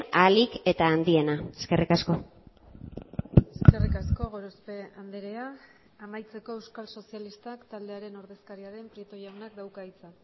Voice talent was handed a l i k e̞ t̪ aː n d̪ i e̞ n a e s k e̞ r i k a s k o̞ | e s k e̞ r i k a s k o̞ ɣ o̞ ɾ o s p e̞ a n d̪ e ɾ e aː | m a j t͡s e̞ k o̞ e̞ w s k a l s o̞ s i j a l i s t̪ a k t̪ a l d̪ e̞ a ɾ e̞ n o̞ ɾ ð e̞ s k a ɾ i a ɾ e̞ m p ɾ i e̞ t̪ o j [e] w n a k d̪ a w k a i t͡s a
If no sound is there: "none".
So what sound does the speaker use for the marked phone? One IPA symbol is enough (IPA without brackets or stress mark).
a